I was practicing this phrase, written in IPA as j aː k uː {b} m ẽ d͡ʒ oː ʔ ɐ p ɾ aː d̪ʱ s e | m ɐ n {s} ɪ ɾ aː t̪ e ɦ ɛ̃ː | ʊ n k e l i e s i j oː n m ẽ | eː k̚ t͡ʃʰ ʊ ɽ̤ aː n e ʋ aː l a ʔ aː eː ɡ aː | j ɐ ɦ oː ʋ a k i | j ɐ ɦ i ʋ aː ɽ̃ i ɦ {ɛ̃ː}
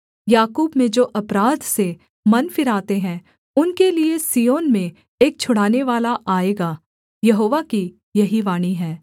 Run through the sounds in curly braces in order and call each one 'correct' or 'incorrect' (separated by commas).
correct, incorrect, incorrect